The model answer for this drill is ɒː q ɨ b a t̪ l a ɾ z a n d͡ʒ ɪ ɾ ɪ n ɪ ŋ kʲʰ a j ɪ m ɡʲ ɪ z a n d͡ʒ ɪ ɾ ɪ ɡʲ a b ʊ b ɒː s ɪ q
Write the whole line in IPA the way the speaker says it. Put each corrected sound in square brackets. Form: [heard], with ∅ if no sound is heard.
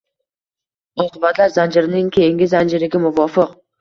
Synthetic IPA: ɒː q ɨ b a t̪ l a ɾ z a n d͡ʒ ɪ ɾ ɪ n ɪ ŋ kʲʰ [e] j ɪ [ŋ] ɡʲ ɪ z a n d͡ʒ ɪ ɾ ɪ ɡʲ a [m] ʊ [v] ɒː [f] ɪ q